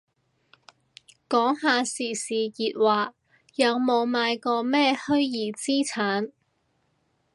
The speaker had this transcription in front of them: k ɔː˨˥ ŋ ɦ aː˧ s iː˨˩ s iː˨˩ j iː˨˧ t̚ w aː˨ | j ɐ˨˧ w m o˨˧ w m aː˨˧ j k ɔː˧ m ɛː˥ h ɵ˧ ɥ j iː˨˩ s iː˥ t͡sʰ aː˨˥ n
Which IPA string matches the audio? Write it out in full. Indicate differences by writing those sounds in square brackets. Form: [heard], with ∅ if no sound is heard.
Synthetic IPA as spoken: k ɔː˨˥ ŋ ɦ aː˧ s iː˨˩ s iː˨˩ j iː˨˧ t̚ w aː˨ | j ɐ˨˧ w m o˨˧ w m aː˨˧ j k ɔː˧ m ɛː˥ h [ɵ˥] ɥ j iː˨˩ [t͡s] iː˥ t͡sʰ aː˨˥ n